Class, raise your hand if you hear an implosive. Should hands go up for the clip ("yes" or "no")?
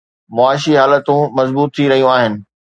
no